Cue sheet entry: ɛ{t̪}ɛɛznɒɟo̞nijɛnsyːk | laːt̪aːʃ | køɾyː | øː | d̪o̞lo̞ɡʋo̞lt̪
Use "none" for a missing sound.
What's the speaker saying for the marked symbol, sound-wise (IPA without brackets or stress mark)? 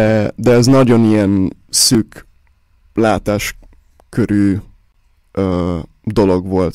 d̪